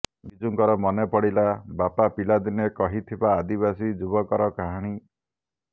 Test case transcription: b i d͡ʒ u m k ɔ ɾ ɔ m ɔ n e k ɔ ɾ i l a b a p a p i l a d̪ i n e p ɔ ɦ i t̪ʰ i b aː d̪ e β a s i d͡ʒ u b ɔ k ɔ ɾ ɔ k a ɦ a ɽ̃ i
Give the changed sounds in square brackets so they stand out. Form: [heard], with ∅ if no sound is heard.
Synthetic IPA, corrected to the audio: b i d͡ʒ u [ŋ] k ɔ ɾ ɔ m ɔ n e [p] ɔ [ɽ] i l a b a p a p i l a d̪ i n e [k] ɔ ɦ i t̪ʰ i b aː d̪ [i] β a s i d͡ʒ u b ɔ k ɔ ɾ ɔ k a ɦ a ɽ̃ i